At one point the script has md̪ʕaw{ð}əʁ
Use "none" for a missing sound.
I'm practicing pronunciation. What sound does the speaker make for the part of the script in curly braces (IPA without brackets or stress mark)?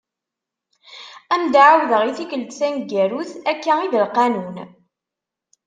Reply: ð